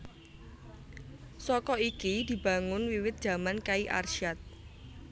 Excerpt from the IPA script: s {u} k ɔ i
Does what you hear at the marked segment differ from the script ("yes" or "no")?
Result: yes